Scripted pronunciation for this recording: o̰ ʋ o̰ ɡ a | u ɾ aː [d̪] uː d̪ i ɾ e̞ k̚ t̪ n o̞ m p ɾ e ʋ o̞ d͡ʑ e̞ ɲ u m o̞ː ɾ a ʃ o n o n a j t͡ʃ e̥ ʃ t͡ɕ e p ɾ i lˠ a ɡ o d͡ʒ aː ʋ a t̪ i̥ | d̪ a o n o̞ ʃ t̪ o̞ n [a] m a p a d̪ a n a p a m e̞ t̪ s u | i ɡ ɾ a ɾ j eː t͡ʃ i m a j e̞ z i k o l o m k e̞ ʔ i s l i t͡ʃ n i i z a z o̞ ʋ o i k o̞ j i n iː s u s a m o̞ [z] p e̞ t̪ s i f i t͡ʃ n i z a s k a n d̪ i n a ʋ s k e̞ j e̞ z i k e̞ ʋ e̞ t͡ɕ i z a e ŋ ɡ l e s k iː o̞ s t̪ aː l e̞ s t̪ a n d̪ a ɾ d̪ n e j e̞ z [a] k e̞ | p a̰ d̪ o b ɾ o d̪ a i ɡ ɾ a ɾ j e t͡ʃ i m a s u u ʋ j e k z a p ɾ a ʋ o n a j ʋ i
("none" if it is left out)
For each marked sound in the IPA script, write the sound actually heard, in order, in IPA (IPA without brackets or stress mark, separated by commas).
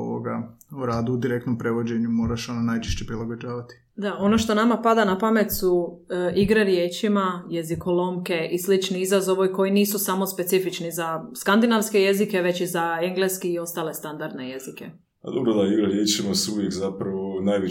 d̪, a, s, i